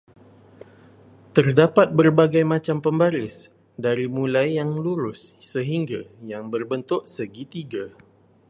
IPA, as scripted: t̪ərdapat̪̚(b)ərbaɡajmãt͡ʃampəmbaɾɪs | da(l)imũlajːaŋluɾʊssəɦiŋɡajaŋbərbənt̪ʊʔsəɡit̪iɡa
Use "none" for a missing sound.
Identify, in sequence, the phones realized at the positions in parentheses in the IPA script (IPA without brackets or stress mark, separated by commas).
b, ɾ